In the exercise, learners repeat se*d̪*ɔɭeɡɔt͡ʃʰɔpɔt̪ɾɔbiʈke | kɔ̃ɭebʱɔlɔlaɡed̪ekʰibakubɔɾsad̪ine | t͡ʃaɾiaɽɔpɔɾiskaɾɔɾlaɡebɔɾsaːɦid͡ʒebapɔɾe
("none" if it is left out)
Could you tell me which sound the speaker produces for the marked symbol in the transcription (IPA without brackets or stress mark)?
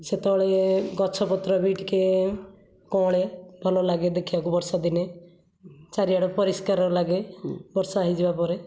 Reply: t̪